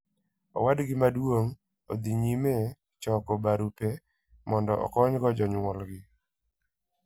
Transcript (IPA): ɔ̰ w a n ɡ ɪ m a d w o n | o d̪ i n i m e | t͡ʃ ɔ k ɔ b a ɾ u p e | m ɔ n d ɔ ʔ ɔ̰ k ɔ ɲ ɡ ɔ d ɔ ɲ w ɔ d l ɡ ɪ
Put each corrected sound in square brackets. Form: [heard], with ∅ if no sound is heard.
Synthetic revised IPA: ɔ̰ w a [d] ɡ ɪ m a d w o [ŋ] | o d̪ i [ɲ] i m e | t͡ʃ ɔ k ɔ b a ɾ u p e | m ɔ n d ɔ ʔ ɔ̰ k ɔ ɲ ɡ ɔ [d͡ʒ] ɔ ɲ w ɔ [∅] l ɡ ɪ